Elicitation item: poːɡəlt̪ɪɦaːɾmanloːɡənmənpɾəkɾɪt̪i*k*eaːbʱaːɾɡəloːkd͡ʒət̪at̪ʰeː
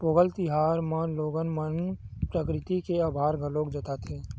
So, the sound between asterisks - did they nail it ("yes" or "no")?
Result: yes